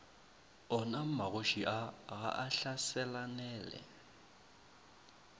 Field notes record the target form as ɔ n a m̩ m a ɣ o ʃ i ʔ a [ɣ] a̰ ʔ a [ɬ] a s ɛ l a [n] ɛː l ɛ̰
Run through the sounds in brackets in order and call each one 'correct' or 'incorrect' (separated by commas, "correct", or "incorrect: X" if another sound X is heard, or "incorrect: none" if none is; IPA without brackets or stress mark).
correct, correct, correct